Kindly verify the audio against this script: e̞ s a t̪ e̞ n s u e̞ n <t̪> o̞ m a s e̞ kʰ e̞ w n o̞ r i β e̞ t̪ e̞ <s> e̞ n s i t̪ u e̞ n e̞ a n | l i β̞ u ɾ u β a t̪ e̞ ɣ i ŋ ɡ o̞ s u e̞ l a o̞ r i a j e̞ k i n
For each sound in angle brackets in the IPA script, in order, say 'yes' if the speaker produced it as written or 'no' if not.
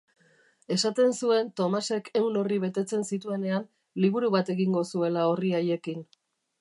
yes, no

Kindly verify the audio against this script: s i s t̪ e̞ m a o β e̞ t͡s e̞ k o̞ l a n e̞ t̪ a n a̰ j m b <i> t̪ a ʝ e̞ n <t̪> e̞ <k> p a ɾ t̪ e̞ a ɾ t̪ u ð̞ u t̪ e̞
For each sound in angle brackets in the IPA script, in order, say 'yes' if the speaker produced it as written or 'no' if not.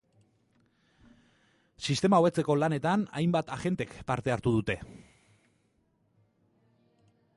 no, yes, yes

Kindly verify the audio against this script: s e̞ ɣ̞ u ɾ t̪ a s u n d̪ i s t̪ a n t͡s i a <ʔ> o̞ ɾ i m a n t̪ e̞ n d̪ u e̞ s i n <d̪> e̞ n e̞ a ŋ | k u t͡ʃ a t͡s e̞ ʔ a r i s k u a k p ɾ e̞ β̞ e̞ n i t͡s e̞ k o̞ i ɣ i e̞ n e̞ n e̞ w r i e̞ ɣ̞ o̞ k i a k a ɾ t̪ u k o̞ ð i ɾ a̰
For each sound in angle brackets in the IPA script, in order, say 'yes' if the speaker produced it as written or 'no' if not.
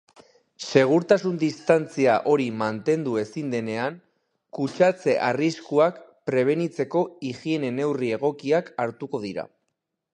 yes, yes

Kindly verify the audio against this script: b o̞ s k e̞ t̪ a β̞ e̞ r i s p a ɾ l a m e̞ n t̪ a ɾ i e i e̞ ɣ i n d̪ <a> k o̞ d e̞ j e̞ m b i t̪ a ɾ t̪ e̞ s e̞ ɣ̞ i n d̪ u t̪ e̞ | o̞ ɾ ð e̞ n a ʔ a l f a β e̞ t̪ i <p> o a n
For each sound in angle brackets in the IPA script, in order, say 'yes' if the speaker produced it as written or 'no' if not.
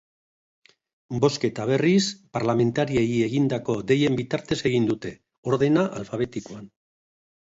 yes, no

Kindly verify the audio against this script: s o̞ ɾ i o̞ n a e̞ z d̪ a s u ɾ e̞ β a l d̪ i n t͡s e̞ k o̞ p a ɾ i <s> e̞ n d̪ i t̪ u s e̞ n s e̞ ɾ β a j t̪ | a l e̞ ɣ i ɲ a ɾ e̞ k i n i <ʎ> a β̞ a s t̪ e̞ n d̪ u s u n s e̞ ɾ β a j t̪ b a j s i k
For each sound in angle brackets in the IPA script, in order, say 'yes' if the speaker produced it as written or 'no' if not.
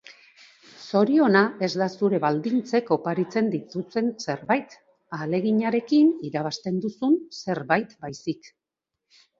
no, no

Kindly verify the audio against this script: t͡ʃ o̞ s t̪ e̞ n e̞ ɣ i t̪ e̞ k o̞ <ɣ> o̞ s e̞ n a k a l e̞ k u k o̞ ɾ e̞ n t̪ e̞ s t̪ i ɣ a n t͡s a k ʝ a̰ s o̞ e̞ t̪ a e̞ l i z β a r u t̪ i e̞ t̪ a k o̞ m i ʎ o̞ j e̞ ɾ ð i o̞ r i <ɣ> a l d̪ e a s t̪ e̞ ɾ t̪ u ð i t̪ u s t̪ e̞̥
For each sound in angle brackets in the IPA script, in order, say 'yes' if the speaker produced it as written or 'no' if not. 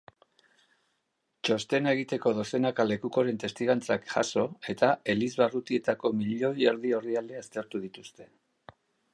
no, no

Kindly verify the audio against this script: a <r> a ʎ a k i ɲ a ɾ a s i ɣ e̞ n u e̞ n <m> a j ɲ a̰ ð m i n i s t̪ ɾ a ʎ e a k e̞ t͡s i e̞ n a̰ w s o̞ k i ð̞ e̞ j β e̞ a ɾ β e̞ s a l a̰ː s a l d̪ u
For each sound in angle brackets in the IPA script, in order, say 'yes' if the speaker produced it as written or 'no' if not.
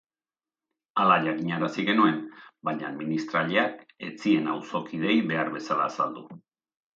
no, no

